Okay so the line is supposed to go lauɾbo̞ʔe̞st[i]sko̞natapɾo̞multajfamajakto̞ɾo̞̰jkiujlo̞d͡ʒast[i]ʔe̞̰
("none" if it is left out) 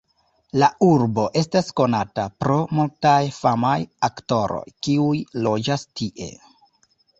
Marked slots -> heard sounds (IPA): a, i

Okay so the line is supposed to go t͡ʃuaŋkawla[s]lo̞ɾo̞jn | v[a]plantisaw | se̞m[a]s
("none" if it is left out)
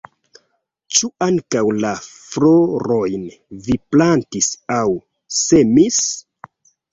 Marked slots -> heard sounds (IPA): f, i, i

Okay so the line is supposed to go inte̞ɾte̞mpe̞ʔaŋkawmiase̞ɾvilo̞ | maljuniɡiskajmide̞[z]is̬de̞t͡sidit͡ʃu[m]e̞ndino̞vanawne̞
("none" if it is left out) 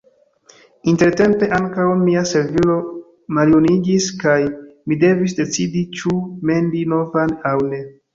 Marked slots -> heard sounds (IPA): v, m

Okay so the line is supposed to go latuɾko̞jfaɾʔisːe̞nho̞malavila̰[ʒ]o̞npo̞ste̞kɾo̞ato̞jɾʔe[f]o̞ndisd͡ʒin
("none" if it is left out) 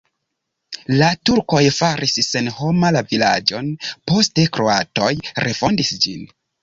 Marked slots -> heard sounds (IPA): d͡ʒ, f

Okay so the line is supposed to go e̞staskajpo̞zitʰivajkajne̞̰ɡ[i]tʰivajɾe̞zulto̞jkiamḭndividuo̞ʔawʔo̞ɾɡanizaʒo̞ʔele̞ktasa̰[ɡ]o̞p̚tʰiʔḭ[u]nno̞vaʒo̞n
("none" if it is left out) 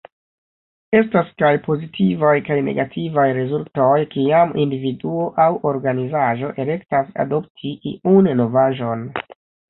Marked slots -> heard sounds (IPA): a, d, u

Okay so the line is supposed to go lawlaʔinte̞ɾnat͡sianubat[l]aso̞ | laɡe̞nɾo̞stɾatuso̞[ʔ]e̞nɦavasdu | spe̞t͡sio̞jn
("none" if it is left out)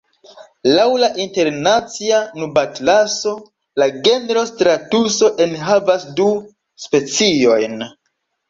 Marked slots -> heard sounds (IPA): l, ʔ

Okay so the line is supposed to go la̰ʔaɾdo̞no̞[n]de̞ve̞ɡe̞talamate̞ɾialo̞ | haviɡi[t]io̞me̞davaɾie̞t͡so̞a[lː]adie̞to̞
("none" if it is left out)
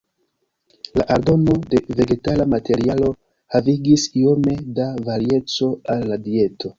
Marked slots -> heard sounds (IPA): none, s, lː

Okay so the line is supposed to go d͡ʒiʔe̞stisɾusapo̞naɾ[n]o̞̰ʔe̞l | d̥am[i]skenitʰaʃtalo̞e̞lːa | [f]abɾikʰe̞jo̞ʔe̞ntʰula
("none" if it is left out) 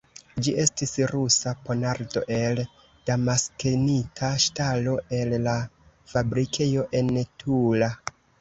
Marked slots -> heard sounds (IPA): d, a, f

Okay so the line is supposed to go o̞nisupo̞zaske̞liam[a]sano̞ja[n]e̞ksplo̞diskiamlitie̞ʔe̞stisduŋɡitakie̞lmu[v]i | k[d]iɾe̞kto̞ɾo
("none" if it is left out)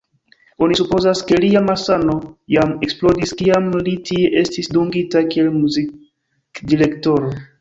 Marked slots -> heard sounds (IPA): a, m, z, d

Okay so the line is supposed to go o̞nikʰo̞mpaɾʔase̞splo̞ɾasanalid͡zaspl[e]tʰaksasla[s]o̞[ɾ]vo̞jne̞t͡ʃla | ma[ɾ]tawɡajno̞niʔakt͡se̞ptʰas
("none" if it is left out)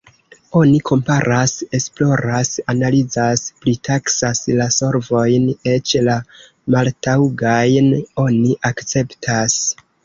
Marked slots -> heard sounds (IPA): i, s, ɾ, l

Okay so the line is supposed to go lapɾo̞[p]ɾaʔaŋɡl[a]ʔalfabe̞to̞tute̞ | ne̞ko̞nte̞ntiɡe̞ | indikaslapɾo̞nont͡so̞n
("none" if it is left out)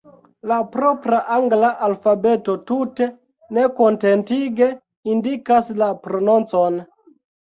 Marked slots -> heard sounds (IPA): p, a

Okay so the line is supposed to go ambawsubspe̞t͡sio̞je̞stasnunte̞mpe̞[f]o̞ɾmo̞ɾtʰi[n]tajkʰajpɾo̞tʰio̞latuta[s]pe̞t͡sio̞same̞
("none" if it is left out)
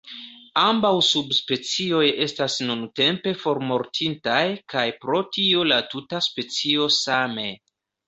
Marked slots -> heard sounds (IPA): f, n, s

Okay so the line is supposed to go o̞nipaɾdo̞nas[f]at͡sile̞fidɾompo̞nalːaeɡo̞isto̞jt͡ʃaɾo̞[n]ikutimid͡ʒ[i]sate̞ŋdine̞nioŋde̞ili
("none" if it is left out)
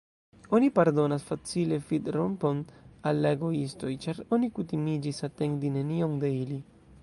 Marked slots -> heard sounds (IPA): f, n, i

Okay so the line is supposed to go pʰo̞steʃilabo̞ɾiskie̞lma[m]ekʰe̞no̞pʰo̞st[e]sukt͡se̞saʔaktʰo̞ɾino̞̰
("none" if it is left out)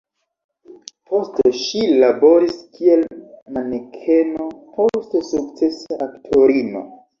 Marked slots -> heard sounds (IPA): n, e

